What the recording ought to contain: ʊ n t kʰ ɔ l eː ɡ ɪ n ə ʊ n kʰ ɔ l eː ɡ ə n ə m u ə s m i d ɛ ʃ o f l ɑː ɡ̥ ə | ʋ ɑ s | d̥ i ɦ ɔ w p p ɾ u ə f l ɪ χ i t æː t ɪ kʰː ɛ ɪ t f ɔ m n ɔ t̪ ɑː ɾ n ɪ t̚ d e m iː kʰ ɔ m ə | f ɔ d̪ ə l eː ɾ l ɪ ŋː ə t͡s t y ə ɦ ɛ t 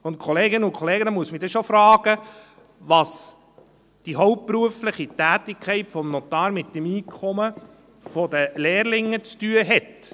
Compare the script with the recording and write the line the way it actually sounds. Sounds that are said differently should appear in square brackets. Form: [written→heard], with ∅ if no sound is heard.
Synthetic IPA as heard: ʊ n t kʰ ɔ l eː ɡ ɪ n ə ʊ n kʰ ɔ l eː ɡ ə n ə m u ə s m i d ɛ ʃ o f [l→ɾ] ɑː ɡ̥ ə | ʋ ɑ s | d̥ i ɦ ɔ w p p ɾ u ə f l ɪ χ i t æː t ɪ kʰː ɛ ɪ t f ɔ m n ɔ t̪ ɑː ɾ [n→m] ɪ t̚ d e m iː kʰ ɔ m ə | f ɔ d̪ ə l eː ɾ l ɪ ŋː ə t͡s t y ə ɦ ɛ t